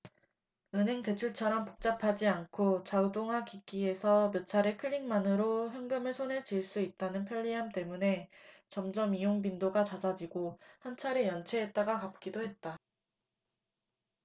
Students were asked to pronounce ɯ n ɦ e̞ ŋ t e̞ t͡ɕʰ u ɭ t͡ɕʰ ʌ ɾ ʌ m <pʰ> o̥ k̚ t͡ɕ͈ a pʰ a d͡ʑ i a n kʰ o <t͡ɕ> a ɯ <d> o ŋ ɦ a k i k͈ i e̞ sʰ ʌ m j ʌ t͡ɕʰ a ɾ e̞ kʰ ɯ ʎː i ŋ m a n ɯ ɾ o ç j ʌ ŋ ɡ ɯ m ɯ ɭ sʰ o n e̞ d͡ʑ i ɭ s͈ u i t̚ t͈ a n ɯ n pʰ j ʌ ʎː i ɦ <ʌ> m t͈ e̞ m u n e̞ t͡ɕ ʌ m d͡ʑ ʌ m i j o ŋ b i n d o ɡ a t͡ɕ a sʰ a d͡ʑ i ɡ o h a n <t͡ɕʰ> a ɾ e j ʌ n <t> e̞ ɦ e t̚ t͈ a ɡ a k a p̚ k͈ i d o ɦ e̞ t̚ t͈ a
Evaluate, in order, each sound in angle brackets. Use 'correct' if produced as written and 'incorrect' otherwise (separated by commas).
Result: incorrect, correct, correct, incorrect, correct, incorrect